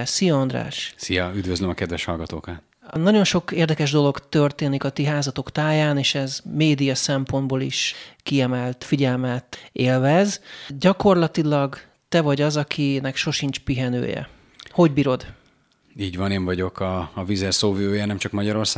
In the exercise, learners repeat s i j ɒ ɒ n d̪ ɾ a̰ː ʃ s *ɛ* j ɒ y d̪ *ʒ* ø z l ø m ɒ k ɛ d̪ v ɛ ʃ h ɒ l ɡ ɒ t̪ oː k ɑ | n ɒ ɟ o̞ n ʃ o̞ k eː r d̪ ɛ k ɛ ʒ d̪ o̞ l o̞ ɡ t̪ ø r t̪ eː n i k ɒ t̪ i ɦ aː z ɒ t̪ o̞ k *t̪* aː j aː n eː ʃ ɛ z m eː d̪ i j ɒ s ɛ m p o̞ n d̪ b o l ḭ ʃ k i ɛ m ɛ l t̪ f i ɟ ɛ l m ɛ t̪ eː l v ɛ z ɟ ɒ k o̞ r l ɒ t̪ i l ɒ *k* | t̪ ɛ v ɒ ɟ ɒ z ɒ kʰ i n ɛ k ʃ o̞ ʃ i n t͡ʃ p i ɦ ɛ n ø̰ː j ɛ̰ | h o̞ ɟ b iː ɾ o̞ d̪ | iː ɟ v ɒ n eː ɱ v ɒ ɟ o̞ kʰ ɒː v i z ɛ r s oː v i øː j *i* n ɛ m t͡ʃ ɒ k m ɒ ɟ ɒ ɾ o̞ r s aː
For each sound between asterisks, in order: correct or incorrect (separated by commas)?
incorrect, incorrect, correct, incorrect, incorrect